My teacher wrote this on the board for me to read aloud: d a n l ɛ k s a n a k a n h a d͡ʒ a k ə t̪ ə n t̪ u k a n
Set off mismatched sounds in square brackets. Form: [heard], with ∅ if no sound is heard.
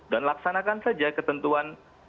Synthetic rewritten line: d a n l [a] k s a n a k a n [s] a d͡ʒ a k ə t̪ ə n t̪ u [∅] a n